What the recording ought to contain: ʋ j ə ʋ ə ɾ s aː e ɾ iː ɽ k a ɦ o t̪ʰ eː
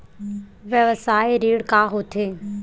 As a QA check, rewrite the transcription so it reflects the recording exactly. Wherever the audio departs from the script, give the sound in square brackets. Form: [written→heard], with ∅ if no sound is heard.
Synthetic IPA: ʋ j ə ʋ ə [ɾ→∅] s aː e ɾ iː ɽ k a ɦ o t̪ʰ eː